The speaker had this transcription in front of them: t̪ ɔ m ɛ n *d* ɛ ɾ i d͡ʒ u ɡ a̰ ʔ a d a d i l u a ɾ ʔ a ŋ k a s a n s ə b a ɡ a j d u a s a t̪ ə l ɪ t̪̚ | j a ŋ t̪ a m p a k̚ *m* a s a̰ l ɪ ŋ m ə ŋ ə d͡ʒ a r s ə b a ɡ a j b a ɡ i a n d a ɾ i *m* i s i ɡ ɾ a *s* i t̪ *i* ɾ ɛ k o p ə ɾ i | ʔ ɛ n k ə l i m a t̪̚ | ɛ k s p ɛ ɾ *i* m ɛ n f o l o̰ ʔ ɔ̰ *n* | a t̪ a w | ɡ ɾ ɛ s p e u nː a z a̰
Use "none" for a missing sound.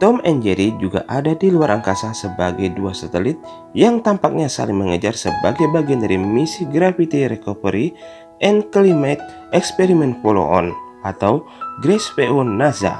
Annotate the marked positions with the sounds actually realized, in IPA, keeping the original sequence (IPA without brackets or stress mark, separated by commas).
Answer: d͡ʒ, ɲ, m, f, i, i, n